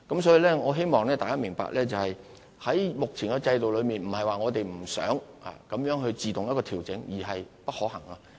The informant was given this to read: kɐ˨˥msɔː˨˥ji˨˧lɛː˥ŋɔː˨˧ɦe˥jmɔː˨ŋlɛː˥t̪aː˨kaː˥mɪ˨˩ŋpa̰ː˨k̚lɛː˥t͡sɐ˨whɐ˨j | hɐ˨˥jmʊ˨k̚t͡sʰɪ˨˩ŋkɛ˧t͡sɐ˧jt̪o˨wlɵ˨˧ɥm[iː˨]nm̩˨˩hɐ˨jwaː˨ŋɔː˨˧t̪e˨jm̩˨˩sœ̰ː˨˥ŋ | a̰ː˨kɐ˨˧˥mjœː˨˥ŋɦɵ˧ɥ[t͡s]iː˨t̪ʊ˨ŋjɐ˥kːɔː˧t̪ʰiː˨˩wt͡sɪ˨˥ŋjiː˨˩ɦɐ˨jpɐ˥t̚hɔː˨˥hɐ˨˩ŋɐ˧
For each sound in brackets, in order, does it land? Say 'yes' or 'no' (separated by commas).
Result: yes, yes